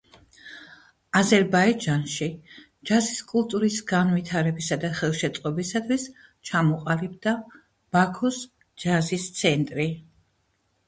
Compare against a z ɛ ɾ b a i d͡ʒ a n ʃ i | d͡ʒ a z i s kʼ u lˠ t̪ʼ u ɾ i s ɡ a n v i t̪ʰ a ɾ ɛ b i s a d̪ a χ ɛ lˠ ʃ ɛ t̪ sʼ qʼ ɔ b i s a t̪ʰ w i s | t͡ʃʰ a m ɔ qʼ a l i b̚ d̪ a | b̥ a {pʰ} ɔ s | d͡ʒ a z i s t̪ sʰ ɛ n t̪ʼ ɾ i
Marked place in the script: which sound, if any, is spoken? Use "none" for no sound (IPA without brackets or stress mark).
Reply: kʰ